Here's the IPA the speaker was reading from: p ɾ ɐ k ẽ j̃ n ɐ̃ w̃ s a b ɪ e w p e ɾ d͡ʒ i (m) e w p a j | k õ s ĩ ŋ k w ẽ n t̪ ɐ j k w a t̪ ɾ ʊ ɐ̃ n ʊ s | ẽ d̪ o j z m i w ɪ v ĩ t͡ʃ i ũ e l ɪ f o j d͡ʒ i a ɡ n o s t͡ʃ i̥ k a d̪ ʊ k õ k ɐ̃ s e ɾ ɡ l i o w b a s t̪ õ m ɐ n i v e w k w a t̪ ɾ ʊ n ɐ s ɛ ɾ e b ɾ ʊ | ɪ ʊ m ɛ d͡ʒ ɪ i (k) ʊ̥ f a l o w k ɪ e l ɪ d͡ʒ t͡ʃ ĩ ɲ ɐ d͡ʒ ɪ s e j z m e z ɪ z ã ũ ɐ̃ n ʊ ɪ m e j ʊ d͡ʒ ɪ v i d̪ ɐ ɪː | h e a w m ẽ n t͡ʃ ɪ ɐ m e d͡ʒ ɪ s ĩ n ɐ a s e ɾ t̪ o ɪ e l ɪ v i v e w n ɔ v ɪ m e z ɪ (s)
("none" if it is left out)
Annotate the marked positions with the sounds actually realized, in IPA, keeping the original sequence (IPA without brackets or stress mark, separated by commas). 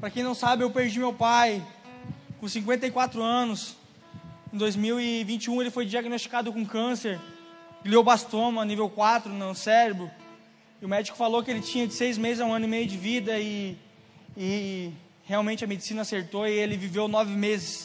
m, k, s